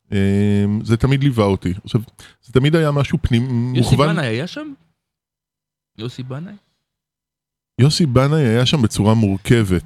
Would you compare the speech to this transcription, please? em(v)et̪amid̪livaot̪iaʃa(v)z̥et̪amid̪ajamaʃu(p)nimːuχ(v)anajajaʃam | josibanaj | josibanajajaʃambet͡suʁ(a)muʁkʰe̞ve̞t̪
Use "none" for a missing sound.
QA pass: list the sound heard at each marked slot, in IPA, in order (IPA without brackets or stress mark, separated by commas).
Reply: z, v, p, v, a